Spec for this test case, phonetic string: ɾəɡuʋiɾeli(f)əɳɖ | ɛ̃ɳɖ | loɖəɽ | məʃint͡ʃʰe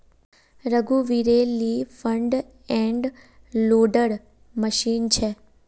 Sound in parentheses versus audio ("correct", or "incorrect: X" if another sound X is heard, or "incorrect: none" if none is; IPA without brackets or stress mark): correct